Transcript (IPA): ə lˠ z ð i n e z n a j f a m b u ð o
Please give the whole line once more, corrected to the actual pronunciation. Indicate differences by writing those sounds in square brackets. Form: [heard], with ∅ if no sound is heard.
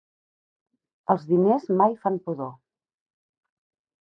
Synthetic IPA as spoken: ə lˠ z ð i n e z [m] a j f a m [p] u ð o